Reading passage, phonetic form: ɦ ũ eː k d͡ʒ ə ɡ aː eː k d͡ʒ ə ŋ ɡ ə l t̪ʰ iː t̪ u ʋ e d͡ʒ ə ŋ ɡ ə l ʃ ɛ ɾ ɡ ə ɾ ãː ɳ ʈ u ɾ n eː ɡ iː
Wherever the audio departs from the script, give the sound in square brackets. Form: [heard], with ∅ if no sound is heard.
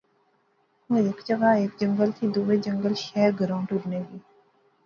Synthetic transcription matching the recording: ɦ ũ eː k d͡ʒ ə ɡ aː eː k d͡ʒ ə ŋ ɡ ə l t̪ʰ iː [d̪] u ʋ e d͡ʒ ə ŋ ɡ ə l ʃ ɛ ɾ ɡ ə ɾ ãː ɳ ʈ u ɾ n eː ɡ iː